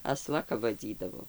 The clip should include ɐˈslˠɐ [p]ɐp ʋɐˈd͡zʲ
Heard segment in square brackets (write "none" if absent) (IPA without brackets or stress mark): k